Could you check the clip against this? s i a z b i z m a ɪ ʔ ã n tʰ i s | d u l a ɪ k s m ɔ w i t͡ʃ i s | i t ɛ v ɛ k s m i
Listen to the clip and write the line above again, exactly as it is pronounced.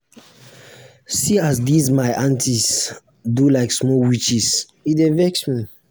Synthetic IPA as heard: s i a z d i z m a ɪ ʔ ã n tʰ i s | d u l a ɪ k s m ɔ w i t͡ʃ i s | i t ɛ v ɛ k s m i